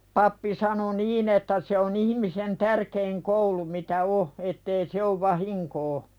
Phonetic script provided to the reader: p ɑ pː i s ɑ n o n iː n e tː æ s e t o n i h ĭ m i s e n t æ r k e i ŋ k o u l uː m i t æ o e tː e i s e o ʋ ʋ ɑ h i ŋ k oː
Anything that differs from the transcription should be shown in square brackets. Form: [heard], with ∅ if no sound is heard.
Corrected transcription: p ɑ pː i s ɑ n o n iː n e tː æ s e [∅] o n i h ĭ m i s e n t æ r k e i ŋ k o u l [u] m i t æ o e tː e i s e o ʋ ʋ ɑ h i ŋ k oː